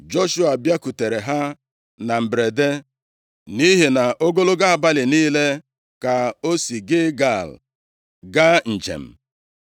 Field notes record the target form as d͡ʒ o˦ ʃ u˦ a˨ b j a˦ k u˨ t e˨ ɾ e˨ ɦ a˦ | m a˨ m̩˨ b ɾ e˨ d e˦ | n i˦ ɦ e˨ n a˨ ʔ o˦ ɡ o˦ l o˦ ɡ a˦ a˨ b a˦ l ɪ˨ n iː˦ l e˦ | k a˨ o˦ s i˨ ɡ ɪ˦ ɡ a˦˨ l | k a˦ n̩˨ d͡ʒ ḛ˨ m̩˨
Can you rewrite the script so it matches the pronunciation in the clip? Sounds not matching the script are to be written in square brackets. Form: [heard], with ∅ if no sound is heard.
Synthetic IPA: d͡ʒ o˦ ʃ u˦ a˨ b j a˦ k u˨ t e˨ ɾ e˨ ɦ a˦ | [n] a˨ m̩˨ b ɾ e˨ d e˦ | n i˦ ɦ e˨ n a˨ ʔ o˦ ɡ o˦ l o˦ ɡ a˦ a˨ b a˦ l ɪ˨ n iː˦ l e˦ | k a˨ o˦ s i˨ ɡ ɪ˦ ɡ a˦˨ l | [ɡ] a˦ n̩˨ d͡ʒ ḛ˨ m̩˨